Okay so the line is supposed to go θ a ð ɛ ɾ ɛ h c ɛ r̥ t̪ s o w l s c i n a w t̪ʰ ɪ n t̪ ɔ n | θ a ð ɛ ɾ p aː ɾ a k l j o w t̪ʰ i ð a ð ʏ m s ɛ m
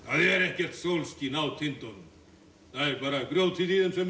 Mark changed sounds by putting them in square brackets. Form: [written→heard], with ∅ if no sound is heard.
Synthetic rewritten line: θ a ð ɛ ɾ ɛ h c ɛ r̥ t̪ s o w l s c i n a w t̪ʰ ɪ n t̪ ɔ n | θ a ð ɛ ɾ p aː ɾ a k [l→ɾ] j o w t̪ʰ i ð [a→i] ð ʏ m s ɛ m